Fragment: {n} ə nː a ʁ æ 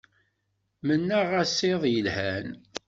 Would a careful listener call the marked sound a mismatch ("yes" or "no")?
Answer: yes